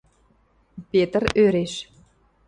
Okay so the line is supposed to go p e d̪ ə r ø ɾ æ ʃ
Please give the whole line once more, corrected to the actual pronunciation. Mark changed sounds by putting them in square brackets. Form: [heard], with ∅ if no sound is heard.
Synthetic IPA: p e [t̪] ə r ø ɾ [e] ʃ

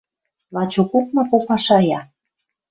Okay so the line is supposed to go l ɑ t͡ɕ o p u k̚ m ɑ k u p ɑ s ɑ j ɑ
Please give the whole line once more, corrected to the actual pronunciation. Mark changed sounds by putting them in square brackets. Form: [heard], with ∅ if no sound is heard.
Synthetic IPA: l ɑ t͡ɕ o [k] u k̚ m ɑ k [o] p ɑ [ʃ] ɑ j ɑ

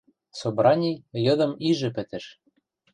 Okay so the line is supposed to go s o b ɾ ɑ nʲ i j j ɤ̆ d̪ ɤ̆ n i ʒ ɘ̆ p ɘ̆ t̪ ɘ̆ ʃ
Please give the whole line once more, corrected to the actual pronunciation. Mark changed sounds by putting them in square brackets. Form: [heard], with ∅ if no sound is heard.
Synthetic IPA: s o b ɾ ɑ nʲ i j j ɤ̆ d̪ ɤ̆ [m] i ʒ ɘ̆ p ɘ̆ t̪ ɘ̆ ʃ

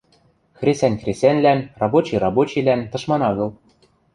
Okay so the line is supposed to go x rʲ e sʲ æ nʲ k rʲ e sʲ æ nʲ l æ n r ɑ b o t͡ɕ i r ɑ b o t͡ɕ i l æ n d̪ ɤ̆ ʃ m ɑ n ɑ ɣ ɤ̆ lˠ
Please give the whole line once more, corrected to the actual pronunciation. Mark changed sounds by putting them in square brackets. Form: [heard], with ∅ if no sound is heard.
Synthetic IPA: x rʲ e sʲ æ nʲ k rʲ e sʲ æ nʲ l æ n r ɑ b o t͡ɕ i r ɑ b o t͡ɕ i l æ n [t̪] ɤ̆ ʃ m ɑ n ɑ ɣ ɤ̆ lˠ

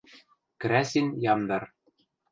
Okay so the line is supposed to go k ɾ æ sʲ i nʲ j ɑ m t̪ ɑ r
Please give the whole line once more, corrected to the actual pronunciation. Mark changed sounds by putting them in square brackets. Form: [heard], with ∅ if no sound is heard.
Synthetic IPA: k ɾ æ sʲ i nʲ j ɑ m [d̪] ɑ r

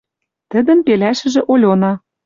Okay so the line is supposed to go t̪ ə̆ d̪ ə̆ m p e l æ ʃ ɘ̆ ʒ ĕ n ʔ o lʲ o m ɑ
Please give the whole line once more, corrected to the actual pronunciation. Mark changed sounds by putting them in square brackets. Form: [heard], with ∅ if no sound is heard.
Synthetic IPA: t̪ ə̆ d̪ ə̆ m p e l æ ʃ ɘ̆ ʒ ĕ [∅] ʔ o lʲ o [n] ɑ

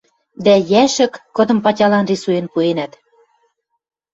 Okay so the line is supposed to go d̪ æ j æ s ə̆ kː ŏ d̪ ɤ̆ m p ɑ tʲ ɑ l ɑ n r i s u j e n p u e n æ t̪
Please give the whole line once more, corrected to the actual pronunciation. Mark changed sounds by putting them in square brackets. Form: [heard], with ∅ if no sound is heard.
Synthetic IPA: d̪ æ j æ [ʃ] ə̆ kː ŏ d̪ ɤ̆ m p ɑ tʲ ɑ l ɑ n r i s u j e n p u e n æ t̪

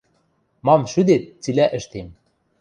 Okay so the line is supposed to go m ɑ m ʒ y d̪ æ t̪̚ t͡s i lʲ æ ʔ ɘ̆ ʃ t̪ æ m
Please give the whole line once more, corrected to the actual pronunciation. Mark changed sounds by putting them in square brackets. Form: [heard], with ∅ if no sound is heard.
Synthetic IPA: m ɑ m [ʃ] y d̪ [e] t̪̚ t͡s i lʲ æ ʔ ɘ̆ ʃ t̪ [e] m

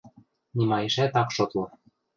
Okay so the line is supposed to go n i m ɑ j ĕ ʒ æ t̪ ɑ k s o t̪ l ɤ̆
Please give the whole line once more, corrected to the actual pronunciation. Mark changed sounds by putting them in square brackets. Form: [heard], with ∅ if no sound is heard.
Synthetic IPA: n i m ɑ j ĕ [ʃ] æ t̪ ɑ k [ʃ] o t̪ l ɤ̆

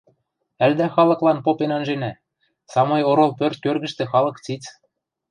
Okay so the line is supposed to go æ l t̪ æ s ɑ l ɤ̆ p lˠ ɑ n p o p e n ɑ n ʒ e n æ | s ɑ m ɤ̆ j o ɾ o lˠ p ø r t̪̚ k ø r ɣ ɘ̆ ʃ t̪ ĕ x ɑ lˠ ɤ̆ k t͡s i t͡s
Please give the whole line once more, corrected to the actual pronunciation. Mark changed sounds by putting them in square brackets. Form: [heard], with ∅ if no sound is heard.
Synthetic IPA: æ l [d̪] æ [x] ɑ l ɤ̆ [k] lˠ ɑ n p o p e n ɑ n ʒ e n æ | s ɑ m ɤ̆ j o ɾ o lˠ p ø r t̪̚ k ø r ɣ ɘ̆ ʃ t̪ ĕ x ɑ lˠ ɤ̆ k t͡s i t͡s

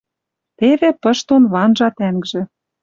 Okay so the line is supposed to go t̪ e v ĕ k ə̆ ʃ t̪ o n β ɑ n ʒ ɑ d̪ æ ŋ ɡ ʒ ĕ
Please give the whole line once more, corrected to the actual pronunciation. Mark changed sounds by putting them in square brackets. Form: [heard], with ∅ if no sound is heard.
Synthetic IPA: t̪ e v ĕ [p] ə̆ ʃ t̪ o n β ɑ n ʒ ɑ [t̪] æ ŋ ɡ ʒ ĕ

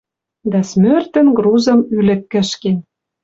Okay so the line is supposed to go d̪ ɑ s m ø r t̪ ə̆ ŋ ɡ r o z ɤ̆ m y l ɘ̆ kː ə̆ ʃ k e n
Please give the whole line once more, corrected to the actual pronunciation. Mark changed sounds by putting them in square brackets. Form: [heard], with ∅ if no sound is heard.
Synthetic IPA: d̪ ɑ s m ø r t̪ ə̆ [n] ɡ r [u] z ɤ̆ m y l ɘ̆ kː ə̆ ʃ k e n

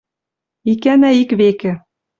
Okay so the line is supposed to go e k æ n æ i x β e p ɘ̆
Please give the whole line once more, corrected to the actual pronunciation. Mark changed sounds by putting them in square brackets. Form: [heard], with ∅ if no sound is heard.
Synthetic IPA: [i] k æ n æ i [k] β e [k] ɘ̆

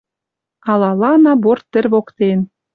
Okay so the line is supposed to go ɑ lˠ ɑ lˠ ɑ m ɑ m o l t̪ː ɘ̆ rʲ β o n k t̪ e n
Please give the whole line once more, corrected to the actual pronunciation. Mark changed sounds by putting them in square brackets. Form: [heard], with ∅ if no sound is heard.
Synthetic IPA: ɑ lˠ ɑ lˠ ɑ [n] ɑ [b] o [r] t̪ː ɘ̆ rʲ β o [∅] k t̪ e n

